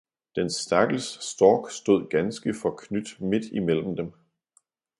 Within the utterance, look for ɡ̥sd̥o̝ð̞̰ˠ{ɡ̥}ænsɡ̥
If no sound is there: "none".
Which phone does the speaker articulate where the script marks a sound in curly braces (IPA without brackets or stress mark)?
ɡ̥